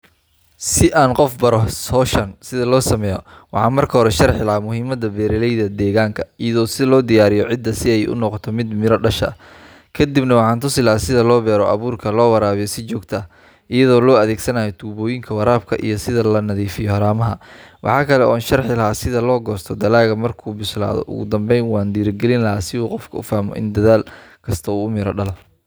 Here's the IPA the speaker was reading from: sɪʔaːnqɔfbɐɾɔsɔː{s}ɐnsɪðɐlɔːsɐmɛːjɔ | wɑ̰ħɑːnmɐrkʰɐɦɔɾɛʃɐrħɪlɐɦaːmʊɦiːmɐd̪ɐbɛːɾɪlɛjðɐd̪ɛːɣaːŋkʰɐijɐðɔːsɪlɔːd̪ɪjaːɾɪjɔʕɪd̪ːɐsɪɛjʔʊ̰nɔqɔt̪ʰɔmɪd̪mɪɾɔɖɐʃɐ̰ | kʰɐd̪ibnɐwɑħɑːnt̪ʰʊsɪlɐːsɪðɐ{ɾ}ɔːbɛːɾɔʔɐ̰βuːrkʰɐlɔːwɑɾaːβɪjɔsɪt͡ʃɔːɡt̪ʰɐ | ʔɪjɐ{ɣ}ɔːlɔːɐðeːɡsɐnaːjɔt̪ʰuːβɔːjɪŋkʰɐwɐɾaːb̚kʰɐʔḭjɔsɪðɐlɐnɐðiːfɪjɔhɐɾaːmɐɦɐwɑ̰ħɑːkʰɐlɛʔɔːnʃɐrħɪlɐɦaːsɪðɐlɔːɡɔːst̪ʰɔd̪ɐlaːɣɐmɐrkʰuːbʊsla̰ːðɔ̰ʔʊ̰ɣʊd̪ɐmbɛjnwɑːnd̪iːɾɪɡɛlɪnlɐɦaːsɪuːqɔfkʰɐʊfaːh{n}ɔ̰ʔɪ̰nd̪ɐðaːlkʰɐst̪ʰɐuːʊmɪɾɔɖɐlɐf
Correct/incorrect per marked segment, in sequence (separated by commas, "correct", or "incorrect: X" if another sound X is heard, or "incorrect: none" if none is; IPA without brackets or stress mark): incorrect: ʃ, incorrect: l, incorrect: ð, incorrect: m